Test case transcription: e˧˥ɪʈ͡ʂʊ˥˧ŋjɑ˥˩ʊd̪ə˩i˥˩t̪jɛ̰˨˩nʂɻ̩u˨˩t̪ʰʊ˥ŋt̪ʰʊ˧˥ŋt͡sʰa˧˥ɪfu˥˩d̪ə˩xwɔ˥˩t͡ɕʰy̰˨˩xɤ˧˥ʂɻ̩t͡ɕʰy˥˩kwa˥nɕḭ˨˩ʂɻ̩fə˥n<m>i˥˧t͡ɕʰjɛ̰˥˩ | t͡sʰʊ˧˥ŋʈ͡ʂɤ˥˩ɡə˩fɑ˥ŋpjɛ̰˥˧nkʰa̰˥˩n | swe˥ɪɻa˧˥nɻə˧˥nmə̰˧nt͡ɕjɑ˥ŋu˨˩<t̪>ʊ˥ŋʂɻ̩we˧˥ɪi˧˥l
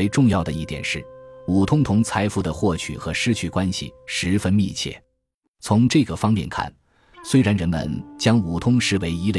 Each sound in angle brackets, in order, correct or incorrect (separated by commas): correct, incorrect